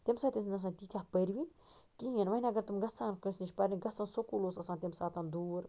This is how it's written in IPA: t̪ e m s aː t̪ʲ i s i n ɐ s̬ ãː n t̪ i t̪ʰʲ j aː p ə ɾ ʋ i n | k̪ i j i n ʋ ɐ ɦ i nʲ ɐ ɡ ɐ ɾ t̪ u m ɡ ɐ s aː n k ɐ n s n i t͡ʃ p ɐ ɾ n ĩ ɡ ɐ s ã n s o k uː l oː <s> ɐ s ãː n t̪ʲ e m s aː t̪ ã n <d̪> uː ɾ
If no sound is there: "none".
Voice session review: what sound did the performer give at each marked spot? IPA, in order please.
s, d̪

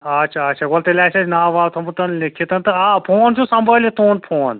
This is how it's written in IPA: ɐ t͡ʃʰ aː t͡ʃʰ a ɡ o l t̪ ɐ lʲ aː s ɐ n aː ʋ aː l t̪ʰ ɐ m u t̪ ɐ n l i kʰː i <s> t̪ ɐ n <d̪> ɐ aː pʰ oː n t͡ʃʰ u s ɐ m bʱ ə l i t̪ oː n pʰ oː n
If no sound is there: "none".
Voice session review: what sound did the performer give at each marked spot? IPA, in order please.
none, t̪

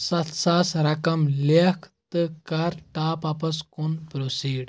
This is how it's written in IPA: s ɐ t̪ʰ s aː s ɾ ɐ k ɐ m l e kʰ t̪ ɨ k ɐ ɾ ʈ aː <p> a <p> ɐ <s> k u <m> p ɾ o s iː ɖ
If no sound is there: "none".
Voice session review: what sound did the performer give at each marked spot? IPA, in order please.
p, p, s, n

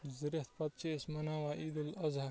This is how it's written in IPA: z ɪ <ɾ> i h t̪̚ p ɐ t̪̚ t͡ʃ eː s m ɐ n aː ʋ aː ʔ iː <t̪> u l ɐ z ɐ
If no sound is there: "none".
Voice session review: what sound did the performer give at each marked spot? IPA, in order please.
ɾ, d̪

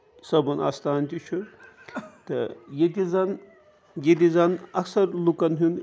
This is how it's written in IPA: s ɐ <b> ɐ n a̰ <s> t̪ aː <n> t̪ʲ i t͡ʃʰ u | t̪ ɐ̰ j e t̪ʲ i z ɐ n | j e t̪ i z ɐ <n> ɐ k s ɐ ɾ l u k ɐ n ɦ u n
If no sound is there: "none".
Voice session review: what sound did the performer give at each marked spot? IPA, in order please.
b, s, n, n

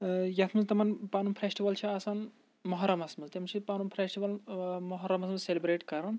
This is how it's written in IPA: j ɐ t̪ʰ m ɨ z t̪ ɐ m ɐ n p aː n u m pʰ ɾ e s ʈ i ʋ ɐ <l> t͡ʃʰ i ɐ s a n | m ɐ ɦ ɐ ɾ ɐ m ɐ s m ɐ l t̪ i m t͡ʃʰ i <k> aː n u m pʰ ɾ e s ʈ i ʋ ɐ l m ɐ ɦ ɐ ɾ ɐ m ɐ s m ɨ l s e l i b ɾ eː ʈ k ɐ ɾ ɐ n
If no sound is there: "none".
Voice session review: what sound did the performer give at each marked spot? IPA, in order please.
l, p

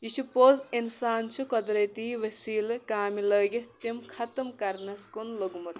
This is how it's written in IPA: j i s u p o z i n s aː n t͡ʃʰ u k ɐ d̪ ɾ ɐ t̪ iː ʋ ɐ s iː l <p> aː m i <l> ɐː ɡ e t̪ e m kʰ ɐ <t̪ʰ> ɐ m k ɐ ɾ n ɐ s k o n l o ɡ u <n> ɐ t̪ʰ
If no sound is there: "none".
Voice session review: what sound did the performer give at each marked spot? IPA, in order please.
k, l, t̪, m

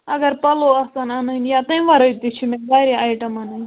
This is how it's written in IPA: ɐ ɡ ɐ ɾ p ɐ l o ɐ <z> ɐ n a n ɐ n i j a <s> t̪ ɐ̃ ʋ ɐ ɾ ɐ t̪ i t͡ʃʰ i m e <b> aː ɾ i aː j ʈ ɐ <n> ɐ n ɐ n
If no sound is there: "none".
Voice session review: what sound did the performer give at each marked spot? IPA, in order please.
s, none, b, m

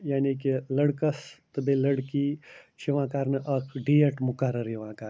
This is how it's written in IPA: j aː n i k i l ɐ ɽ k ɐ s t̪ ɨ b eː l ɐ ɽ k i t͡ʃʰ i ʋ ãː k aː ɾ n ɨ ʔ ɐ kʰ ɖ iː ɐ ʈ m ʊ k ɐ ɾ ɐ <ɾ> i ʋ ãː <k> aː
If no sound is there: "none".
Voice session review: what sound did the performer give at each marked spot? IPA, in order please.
ɾ, k

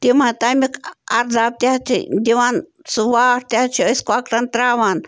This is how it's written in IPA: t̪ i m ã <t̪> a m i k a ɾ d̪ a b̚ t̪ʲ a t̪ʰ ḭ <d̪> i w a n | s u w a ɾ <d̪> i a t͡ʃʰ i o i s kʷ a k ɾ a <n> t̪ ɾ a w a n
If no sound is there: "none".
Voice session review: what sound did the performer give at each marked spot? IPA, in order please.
t̪, d̪, t̪, n

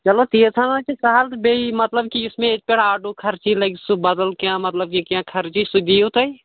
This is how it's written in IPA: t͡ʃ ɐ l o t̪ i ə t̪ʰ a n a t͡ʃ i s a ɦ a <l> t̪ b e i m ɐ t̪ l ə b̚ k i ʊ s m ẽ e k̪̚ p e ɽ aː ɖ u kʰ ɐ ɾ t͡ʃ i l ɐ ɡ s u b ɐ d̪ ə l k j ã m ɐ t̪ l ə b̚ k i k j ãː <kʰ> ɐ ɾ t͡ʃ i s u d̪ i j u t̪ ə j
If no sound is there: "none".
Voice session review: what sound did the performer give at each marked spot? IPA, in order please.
l, kʰ

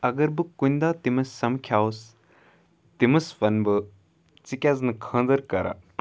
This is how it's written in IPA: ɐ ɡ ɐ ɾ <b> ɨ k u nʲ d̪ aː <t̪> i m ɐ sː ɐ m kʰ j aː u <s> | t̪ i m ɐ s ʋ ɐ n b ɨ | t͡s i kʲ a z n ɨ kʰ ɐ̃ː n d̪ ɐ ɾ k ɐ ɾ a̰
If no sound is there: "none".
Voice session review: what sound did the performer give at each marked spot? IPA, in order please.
b, t̪, s

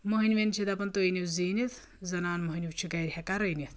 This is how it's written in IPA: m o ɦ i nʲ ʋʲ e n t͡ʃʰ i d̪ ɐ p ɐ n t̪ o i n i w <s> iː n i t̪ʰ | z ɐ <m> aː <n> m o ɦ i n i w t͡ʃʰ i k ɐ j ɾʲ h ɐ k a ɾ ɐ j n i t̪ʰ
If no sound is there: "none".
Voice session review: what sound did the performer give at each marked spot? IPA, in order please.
z, n, n

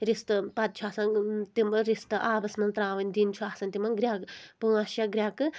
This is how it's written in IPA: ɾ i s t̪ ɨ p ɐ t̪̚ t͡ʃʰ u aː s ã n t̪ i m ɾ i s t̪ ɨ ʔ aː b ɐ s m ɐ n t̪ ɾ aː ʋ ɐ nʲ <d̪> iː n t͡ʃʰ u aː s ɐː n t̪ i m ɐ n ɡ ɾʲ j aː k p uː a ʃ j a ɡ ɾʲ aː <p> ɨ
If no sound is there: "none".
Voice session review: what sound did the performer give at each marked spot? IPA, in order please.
d̪, k

